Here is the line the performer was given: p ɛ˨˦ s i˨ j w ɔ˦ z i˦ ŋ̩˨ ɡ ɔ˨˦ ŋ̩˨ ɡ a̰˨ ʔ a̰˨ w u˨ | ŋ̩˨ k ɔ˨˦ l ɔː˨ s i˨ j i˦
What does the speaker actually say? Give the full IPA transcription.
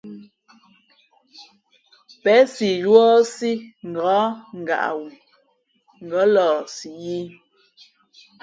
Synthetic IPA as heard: p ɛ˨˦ s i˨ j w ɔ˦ s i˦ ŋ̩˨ ɡ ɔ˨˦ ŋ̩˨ ɡ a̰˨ ʔ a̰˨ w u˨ | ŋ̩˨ ɡ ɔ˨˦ l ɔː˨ s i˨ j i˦

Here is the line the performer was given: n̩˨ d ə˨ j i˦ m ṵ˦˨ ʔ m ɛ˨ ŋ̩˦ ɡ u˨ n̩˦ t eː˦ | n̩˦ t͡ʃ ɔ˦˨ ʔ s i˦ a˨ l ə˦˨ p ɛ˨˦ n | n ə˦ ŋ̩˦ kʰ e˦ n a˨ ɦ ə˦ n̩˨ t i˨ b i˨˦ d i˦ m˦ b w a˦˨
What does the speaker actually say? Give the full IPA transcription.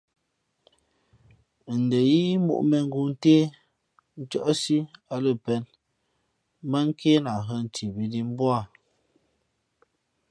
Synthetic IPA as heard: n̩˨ d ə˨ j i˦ m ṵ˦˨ ʔ m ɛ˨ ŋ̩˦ ɡ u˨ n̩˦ t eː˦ | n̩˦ t͡ʃ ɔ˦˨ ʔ s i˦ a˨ l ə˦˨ p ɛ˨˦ n | m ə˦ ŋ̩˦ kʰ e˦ n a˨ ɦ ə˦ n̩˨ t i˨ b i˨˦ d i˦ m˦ b w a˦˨

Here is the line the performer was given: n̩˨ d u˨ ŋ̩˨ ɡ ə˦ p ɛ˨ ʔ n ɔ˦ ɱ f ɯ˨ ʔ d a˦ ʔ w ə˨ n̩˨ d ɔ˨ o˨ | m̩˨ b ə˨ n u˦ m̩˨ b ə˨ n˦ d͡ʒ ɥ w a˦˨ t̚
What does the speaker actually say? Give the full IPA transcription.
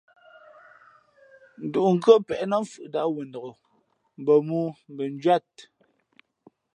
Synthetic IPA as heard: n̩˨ d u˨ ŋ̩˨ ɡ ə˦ p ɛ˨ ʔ n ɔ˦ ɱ f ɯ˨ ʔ d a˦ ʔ w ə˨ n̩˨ d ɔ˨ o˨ | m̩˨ b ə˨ m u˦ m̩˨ b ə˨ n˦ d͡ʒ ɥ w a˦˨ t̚

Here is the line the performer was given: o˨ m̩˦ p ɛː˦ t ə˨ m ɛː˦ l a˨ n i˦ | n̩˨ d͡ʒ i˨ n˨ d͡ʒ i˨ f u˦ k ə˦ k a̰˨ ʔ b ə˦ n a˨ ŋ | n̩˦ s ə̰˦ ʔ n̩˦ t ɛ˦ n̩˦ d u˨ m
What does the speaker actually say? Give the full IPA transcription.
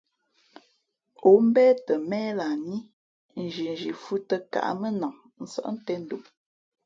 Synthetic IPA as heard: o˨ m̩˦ b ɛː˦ t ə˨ m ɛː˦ l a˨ n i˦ | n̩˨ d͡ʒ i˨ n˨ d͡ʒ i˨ f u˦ t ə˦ k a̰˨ ʔ m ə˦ n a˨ ŋ | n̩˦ s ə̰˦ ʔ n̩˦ t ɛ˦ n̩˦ d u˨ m

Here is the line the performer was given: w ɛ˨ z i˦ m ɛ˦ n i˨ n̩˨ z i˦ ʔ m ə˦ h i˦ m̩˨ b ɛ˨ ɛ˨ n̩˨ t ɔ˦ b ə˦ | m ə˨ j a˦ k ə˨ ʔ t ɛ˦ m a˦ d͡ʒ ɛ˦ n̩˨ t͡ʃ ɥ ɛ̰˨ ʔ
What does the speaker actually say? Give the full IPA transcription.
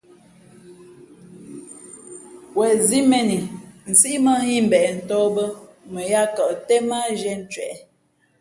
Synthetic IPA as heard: w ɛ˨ z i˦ m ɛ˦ n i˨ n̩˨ s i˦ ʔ m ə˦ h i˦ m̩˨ b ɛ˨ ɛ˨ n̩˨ t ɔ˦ b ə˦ | m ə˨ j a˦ k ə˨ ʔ t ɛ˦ m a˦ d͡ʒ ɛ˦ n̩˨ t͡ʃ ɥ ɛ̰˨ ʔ

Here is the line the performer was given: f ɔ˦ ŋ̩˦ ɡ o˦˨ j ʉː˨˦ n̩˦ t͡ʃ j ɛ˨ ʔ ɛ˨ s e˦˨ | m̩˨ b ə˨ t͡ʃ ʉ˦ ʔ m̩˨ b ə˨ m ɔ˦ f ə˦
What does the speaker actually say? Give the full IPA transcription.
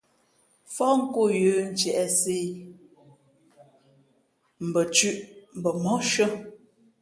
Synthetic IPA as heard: f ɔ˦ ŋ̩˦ k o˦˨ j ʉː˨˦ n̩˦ t͡ʃ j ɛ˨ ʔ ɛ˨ s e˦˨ | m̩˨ b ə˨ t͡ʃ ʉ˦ ʔ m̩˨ b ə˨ m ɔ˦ ʃ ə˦

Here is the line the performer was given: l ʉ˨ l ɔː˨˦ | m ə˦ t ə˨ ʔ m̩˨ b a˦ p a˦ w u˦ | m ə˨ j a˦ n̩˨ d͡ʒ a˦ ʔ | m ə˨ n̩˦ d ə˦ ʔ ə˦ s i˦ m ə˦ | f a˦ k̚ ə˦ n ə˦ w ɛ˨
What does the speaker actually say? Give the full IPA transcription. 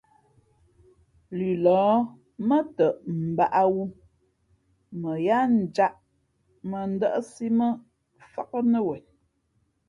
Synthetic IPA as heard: l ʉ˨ l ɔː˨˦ | m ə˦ t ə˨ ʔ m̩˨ b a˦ ʔ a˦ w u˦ | m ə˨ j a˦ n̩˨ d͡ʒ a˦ ʔ | m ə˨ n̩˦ d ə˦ ʔ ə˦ s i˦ m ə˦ | f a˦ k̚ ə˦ n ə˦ w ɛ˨

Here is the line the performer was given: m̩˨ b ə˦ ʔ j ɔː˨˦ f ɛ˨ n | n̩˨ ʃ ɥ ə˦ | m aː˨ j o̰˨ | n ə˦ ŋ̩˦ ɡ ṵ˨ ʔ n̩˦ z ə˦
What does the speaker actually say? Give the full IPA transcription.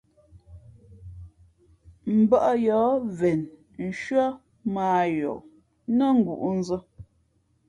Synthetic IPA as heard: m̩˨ b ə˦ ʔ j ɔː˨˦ v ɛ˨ n | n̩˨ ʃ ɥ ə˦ | m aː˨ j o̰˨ | n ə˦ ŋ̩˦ ɡ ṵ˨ ʔ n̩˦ z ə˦

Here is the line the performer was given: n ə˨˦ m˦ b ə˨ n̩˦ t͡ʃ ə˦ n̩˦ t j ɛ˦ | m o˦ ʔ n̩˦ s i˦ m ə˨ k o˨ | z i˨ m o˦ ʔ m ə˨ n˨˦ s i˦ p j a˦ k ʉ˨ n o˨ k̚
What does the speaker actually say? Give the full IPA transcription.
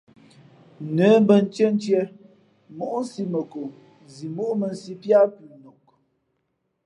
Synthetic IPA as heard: n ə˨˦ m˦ b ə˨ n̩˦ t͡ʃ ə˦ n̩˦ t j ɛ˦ | m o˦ ʔ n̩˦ s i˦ m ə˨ k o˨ | z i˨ m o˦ ʔ m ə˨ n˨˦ s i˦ p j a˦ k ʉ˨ n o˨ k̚

